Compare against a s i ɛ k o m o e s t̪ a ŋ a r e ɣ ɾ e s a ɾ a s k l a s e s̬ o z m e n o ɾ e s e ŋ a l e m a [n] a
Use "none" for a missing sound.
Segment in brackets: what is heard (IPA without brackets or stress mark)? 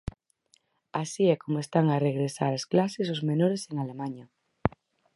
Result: ɲ